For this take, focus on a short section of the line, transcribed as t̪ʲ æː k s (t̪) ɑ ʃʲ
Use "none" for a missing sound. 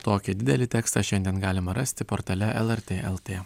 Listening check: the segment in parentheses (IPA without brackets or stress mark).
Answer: t̪